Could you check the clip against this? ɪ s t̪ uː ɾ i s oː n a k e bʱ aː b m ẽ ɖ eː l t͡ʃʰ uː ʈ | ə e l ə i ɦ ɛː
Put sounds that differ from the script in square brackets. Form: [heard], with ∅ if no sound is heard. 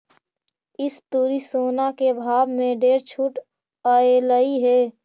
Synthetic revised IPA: ɪ s t̪ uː ɾ i s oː n a k e bʱ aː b m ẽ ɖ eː [ɾ] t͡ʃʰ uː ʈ | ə e l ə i ɦ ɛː